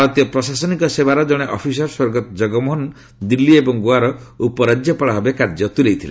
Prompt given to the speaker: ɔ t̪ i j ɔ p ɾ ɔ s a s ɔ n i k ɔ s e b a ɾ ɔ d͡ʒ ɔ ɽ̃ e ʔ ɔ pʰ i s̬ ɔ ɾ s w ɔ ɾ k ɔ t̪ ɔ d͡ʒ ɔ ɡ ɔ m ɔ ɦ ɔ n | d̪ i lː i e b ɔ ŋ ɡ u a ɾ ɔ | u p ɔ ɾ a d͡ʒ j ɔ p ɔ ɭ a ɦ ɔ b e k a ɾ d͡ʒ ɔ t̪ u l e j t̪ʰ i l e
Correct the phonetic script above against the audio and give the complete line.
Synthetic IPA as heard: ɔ t̪ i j ɔ p ɾ ɔ s a s ɔ n i k ɔ s e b a ɾ ɔ d͡ʒ ɔ ɽ̃ e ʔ ɔ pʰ i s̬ ɔ ɾ s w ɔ ɾ ɡ ɔ t̪ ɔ d͡ʒ ɔ ɡ ɔ m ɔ ɦ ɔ n | d̪ i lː i e b ɔ ŋ ɡ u a ɾ ɔ | u p ɔ ɾ a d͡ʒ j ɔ p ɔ ɭ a ɦ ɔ b e k a ɾ d͡ʒ ɔ t̪ u l e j t̪ʰ i l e